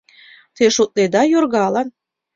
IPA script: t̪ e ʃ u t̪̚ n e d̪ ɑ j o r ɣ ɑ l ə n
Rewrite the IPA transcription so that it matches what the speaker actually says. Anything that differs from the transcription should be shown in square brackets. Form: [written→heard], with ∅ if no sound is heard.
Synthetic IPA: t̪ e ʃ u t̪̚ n e d̪ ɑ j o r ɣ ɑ l [ə→ɑ] n